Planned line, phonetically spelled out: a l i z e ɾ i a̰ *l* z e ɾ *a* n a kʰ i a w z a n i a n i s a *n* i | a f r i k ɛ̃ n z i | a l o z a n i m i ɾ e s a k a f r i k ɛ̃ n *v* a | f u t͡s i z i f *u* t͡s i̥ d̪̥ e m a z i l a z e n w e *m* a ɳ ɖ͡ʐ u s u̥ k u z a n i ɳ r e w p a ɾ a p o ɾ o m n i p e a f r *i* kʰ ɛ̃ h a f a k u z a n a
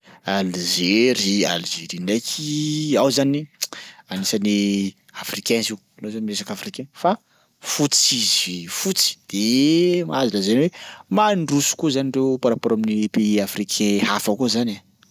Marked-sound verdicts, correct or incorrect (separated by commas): correct, incorrect, correct, incorrect, correct, correct, correct